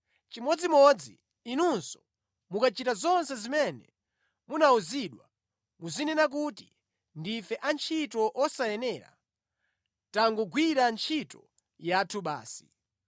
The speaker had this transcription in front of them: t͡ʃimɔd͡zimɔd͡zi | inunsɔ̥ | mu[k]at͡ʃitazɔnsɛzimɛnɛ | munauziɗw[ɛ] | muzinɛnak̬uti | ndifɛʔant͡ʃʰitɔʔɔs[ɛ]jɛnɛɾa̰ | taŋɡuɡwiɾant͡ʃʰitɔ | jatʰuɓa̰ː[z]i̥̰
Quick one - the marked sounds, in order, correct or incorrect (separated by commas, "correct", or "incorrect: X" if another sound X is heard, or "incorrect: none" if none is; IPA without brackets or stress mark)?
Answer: correct, incorrect: a, incorrect: a, incorrect: s